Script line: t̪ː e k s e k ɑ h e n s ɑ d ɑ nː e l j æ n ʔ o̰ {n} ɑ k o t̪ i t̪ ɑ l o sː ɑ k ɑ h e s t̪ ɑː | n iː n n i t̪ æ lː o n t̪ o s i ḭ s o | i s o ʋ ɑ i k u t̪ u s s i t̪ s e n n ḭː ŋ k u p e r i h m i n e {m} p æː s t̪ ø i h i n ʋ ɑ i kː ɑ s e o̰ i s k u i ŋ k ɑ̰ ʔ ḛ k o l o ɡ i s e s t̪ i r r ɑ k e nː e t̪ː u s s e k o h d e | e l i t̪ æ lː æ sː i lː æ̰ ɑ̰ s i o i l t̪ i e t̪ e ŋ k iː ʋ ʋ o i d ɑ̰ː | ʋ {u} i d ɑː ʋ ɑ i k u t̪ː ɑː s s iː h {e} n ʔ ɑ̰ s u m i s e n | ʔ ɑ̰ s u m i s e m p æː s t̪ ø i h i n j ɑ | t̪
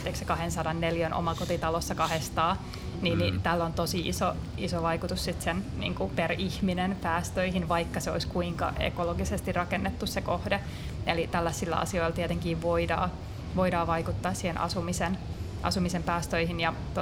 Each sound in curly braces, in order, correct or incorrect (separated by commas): incorrect, incorrect, incorrect, correct